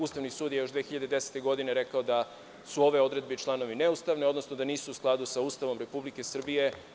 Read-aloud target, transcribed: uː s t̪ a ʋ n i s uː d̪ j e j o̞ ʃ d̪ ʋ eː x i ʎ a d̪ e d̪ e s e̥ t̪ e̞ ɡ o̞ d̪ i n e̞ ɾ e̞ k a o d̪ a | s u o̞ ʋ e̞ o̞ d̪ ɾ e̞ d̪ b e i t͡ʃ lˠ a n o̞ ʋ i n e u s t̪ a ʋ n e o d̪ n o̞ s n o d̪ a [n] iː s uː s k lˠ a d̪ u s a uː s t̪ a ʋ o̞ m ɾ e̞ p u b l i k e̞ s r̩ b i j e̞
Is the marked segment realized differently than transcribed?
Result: no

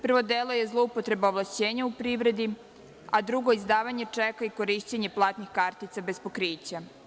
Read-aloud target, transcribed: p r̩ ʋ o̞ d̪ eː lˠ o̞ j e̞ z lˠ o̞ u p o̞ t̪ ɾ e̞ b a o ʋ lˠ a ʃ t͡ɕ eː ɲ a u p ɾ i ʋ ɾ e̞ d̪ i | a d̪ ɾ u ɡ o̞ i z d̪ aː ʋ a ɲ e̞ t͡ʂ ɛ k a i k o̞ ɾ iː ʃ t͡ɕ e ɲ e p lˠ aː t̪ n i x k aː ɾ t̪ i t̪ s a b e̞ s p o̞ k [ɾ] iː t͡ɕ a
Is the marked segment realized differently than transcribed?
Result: no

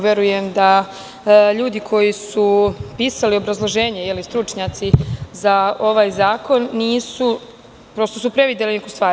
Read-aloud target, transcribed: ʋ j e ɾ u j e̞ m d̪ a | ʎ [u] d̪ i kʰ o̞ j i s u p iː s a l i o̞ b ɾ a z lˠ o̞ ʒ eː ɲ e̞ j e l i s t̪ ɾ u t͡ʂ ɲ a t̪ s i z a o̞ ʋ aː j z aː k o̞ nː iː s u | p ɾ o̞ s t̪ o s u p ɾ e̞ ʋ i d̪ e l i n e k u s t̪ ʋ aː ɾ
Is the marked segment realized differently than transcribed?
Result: yes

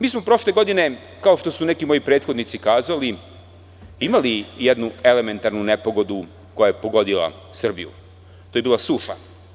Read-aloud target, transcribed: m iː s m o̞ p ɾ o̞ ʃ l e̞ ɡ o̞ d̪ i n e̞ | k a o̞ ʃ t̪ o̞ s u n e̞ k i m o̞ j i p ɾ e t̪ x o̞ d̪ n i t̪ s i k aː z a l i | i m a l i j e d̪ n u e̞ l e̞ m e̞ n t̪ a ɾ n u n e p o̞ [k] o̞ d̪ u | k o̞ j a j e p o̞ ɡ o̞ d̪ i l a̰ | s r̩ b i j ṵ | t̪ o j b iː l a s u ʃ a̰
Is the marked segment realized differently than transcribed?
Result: yes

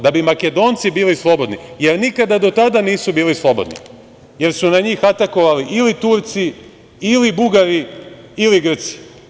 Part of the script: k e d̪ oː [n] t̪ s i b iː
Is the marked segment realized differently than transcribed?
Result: no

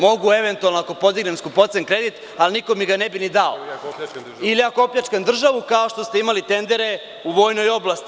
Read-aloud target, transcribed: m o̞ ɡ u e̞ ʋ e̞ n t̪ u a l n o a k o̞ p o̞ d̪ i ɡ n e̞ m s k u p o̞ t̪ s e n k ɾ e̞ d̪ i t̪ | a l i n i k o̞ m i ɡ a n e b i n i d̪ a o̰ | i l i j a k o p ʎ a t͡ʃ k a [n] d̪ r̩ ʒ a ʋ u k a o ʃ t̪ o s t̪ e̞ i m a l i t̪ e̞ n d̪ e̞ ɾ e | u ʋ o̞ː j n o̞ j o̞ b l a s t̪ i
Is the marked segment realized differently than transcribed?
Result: no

